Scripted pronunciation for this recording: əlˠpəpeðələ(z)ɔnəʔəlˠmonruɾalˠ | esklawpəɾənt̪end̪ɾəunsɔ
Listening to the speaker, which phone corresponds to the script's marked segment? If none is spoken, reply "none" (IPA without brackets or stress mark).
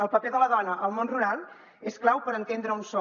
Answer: ð